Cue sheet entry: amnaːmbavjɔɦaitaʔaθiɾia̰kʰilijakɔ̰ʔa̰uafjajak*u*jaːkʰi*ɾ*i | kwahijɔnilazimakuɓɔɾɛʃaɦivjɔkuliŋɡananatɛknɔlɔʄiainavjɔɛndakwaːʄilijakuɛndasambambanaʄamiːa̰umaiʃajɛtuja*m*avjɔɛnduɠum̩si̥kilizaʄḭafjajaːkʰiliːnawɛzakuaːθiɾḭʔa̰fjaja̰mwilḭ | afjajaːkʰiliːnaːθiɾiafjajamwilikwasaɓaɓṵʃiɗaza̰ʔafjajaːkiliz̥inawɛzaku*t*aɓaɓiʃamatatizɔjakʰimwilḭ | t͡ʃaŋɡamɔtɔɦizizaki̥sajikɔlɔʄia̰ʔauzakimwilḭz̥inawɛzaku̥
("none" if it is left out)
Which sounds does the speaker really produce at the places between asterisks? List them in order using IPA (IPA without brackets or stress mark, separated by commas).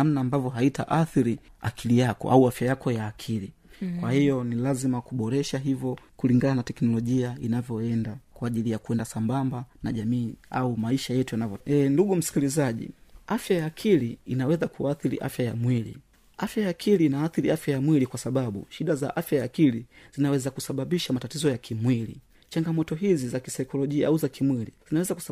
ɔ, l, n, s